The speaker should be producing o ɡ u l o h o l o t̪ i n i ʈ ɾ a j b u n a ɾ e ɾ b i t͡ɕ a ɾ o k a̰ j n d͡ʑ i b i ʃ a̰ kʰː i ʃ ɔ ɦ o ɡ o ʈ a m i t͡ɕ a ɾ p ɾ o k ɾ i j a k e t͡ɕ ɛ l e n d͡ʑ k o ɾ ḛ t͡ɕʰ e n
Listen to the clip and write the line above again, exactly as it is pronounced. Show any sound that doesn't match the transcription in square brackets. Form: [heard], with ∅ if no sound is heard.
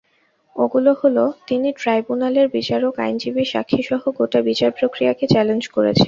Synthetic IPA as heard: o ɡ u l o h o l o t̪ i n i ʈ ɾ a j b u n a [l] e ɾ b i t͡ɕ a ɾ o k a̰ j n d͡ʑ i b i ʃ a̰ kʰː i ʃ ɔ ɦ o ɡ o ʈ a [b] i t͡ɕ a ɾ p ɾ o k ɾ i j a k e t͡ɕ ɛ l e n d͡ʑ k o ɾ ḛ t͡ɕʰ e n

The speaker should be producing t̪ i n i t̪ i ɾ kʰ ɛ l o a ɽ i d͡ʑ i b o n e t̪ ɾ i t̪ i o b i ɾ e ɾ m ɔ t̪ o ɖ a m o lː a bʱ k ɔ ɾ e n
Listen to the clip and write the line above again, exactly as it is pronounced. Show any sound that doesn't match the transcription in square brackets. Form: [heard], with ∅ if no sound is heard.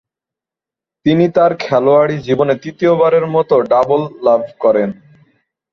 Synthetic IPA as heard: t̪ i n i t̪ [a] ɾ kʰ ɛ l o a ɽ i d͡ʑ i b o n e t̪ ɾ i t̪ i o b [a] ɾ e ɾ m ɔ t̪ o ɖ a [b] o lː a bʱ k ɔ ɾ e n

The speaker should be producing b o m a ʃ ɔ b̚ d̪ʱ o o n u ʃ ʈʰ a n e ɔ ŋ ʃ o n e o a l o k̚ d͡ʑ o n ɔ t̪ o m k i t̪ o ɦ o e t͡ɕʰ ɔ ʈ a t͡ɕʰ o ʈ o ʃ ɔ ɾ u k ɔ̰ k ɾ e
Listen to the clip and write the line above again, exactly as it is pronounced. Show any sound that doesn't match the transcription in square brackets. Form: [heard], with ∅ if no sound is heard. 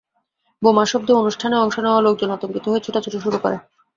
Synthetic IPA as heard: b o m a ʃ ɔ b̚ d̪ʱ o o n u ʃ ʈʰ a n e ɔ ŋ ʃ o n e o a l o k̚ d͡ʑ o n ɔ t̪ o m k i t̪ o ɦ o e t͡ɕʰ [o] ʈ a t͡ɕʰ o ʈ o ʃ [u] ɾ u k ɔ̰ [∅] ɾ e

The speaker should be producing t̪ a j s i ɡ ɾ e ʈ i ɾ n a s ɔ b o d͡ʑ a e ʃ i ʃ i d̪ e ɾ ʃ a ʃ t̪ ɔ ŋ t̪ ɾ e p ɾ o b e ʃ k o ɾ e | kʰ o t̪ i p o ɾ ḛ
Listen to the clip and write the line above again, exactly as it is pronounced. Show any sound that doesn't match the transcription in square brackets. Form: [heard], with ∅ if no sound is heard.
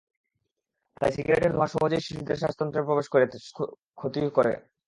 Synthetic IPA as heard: t̪ a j s i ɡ ɾ e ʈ [e] ɾ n a [ʃ] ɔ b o d͡ʑ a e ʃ i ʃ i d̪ e ɾ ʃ a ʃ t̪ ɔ [n] t̪ ɾ e p ɾ o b e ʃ k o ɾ e | kʰ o t̪ i [k] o ɾ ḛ

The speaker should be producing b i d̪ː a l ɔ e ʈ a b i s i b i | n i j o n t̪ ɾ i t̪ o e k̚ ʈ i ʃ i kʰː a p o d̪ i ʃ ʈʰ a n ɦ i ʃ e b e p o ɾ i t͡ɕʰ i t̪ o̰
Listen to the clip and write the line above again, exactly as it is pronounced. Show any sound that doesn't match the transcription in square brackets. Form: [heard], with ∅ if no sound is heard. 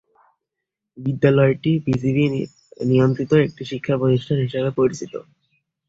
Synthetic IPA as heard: b i d̪ː a l ɔ e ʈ [i] b i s i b i | n i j o n t̪ ɾ i t̪ o e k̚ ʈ i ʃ i kʰː a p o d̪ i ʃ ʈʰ a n ɦ i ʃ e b e p o ɾ i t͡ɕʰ i t̪ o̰

